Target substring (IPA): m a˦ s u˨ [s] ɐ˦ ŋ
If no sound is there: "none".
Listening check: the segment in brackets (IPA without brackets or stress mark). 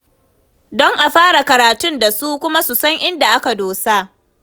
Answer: s